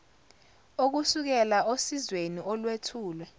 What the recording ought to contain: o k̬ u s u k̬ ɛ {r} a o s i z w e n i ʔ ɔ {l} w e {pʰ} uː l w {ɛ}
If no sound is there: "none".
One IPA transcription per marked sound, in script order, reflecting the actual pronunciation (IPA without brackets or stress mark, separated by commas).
l, l, tʰ, ɛ